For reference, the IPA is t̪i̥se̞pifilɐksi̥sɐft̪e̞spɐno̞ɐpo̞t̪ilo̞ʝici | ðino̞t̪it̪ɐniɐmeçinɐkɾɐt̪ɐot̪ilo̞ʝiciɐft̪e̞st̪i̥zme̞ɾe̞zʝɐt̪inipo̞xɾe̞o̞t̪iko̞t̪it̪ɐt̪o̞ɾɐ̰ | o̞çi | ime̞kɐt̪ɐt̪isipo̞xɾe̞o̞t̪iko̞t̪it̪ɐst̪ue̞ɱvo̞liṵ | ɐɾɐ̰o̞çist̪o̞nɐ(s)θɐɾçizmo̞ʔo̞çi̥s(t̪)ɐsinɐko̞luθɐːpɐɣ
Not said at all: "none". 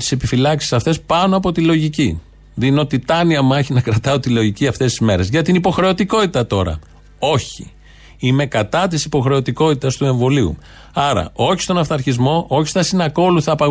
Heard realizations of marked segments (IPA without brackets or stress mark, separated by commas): f, t̪